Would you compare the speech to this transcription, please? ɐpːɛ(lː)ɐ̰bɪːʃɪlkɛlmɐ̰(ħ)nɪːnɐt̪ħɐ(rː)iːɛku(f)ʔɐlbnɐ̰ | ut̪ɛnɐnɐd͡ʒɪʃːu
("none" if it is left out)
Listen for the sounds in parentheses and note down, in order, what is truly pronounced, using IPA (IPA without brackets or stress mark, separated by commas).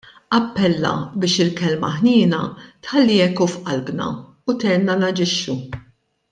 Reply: lː, ħ, lː, f